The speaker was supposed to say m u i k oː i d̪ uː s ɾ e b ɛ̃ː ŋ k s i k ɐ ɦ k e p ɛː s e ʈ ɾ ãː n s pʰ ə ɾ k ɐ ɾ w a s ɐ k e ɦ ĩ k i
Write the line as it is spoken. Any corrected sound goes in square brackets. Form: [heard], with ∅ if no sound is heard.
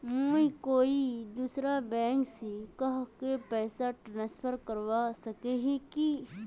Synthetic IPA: m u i k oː i d̪ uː s ɾ [a] b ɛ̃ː ŋ k s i k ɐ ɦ k e p ɛː s [a] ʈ ɾ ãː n s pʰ ə ɾ k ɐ ɾ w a s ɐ k e ɦ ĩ k i

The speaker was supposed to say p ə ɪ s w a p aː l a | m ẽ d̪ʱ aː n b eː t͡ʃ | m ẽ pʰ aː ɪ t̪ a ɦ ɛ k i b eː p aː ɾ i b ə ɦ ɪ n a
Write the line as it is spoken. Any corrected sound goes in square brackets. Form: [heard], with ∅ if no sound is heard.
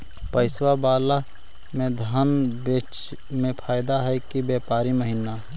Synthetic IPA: p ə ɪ s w a [b] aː l a | m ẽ d̪ʱ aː n b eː t͡ʃ | m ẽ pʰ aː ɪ [d̪] a ɦ ɛ k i b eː p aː ɾ i [m] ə ɦ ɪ n a

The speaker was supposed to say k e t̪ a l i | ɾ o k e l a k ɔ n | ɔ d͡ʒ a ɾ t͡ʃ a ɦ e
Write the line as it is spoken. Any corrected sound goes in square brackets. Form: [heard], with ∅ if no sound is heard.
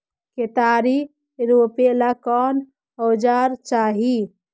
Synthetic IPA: k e t̪ a [ɾ] i | ɾ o [p] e l a k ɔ n | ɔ d͡ʒ a ɾ t͡ʃ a ɦ [i]

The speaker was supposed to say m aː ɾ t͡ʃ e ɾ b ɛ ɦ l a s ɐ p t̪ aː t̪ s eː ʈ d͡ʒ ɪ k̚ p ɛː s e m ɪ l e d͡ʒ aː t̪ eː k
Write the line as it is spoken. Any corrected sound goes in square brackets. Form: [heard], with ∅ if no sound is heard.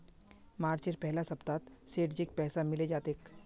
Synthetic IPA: m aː ɾ t͡ʃ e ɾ [p] ɛ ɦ l a s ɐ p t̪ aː t̪ s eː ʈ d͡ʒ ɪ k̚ p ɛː s [a] m ɪ l e d͡ʒ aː t̪ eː k

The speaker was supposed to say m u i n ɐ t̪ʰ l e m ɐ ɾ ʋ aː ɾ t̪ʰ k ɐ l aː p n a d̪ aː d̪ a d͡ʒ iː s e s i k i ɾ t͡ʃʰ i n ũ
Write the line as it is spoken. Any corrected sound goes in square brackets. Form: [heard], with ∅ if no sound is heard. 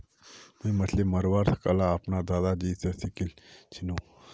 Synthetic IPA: m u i [m] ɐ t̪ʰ l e m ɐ ɾ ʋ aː ɾ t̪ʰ k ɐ l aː p n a d̪ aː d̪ a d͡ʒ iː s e s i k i [l] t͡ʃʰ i n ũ

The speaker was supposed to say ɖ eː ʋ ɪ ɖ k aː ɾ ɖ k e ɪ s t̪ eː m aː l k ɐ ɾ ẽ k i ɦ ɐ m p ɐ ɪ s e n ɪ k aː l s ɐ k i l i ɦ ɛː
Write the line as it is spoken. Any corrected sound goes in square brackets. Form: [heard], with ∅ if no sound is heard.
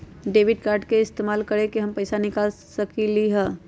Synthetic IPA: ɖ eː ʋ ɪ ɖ k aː ɾ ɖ k e ɪ s t̪ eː m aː l k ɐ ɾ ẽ k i ɦ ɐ m p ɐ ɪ s [a] n ɪ k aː l s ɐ k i l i ɦ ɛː

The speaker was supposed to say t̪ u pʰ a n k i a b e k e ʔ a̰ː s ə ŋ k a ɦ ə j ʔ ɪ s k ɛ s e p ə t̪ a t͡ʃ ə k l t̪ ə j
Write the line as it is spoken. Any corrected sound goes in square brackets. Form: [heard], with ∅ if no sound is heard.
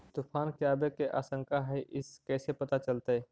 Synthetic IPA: t̪ u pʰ a n k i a b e k e ʔ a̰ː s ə ŋ k a ɦ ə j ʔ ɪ s k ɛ s e p ə t̪ a t͡ʃ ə [∅] l t̪ ə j

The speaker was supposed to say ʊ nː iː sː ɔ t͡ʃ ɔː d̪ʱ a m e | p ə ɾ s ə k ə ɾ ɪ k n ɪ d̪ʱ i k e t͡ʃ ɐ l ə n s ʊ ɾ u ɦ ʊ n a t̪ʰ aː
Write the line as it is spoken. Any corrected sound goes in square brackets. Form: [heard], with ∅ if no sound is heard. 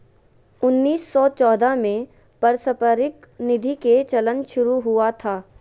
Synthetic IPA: ʊ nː iː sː ɔ t͡ʃ ɔː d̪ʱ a m [ẽ] | p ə ɾ s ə [p] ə ɾ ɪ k n ɪ d̪ʱ i k e t͡ʃ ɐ l ə n [ʃ] ʊ ɾ u ɦ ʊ [∅] a t̪ʰ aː

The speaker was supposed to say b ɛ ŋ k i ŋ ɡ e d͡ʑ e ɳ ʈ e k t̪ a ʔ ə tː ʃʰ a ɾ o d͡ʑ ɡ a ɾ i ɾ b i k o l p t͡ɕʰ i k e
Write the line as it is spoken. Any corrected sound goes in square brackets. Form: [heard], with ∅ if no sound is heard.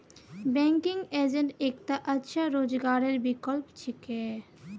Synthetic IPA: b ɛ ŋ k i ŋ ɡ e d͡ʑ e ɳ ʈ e k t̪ a ʔ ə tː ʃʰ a ɾ o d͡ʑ ɡ a ɾ [e] ɾ b i k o l p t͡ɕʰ i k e

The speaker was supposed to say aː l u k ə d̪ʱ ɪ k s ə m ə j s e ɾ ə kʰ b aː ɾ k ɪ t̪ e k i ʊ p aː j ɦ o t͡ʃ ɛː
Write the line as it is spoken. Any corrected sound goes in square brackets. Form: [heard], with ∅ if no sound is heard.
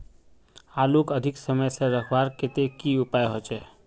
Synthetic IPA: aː l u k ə d̪ʱ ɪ k s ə m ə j s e ɾ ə kʰ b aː ɾ k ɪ t̪ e k i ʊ p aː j ɦ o t͡ʃ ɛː

